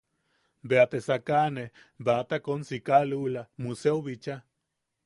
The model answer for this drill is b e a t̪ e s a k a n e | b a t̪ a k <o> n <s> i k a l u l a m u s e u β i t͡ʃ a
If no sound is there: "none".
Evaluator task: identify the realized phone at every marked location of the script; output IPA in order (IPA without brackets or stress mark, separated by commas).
o, s